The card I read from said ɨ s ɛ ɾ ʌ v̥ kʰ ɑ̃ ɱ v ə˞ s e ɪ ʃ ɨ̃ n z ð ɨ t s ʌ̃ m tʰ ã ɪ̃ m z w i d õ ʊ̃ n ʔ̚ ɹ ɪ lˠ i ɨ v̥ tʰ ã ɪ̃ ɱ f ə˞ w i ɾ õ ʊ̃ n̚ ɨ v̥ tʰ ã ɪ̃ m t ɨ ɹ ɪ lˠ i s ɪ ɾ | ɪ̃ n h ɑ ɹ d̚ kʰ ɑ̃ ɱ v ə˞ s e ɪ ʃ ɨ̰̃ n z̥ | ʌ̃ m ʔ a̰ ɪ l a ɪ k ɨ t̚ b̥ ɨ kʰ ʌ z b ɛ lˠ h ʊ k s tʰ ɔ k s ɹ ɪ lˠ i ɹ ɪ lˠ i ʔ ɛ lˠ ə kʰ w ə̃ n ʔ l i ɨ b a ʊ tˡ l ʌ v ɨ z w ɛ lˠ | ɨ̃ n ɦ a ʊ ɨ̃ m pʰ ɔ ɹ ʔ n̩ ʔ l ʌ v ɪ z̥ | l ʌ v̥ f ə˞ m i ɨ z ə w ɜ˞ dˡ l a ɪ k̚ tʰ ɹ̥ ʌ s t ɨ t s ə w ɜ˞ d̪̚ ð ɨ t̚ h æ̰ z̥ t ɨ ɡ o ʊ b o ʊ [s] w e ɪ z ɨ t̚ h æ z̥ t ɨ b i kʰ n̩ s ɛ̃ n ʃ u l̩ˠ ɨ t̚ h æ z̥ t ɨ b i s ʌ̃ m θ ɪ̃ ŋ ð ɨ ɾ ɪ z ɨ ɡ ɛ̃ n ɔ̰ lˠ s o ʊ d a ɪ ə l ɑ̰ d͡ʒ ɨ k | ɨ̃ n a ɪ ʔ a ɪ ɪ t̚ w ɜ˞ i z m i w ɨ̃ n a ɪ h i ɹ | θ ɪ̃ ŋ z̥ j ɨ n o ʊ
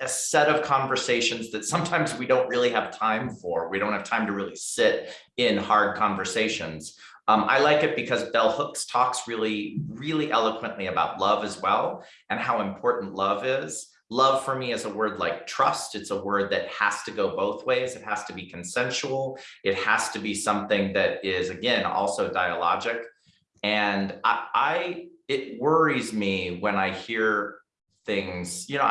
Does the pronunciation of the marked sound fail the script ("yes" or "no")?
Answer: yes